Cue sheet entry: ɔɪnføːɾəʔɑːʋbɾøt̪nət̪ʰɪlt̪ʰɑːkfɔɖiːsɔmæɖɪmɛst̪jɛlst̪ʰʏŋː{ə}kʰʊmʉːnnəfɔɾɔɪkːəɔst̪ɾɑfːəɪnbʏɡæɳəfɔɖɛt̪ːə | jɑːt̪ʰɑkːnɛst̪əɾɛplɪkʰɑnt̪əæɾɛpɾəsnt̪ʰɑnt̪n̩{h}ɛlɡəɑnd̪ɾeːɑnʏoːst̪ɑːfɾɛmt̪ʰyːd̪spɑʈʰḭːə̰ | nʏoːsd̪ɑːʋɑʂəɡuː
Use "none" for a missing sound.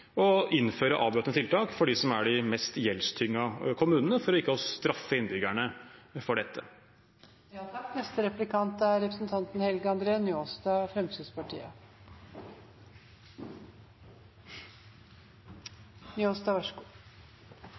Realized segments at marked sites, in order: ɑ, h

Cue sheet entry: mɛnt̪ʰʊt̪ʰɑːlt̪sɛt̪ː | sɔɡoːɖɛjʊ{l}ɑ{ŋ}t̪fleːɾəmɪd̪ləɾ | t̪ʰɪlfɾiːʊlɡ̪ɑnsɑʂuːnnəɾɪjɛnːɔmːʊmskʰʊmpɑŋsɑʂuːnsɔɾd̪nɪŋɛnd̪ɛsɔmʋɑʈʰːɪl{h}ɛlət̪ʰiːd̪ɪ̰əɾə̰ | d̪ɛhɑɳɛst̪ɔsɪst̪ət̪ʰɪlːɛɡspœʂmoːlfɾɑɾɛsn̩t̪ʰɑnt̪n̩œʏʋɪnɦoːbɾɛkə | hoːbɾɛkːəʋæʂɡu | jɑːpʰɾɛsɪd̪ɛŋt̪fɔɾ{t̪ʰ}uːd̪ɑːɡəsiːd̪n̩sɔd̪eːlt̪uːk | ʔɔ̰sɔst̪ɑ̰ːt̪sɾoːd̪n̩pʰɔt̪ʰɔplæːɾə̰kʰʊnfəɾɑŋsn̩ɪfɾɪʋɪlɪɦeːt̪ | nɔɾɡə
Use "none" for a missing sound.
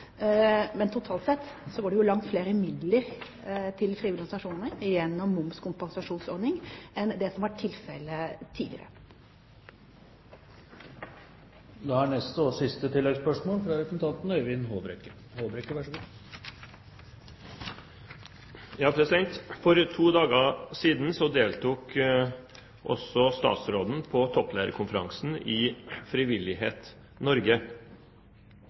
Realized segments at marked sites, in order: l, ŋ, f, t̪ʰ

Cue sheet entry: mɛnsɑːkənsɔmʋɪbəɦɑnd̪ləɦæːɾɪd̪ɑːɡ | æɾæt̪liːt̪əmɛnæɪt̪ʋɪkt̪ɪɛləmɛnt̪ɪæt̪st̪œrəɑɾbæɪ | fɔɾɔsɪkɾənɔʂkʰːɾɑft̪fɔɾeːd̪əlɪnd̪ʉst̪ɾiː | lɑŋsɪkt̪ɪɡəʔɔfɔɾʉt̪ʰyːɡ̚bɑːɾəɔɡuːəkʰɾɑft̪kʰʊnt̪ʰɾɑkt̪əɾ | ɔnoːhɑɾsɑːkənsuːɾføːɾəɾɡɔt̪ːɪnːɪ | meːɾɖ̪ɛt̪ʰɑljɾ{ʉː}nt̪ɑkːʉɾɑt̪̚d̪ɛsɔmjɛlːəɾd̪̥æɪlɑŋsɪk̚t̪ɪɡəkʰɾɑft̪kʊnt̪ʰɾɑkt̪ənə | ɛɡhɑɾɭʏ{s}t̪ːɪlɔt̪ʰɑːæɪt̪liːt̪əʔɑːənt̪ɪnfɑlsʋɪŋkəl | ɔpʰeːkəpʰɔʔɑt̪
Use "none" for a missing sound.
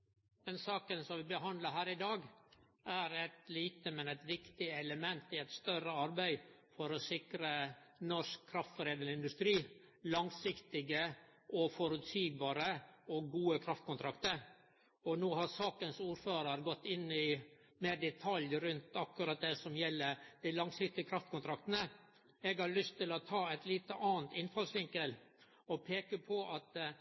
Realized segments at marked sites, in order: ʉ, s

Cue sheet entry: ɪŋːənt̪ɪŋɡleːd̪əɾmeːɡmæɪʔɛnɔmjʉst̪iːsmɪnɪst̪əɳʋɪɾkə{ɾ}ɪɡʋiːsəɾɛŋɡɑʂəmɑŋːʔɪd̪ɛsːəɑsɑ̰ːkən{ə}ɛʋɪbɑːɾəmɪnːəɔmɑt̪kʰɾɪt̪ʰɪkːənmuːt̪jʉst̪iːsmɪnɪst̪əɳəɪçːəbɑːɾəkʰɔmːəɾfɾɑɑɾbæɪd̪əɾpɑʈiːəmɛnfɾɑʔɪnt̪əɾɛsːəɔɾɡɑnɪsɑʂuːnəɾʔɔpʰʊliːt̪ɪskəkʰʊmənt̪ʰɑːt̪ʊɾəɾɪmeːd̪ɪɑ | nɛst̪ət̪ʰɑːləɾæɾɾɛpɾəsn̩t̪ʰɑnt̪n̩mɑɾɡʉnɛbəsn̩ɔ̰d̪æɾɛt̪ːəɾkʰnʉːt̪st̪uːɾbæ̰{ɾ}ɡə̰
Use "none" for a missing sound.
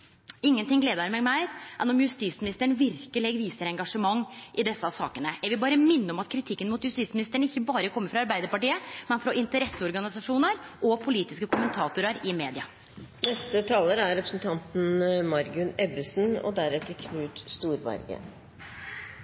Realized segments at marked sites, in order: l, ə, ɾ

